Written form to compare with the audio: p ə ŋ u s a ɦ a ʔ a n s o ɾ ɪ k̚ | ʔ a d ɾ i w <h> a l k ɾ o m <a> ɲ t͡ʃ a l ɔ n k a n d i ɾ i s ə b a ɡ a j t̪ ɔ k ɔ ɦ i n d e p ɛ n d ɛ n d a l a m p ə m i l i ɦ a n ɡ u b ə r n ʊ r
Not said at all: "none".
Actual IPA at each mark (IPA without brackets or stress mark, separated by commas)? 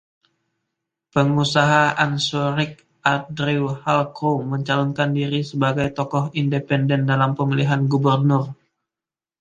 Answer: h, ə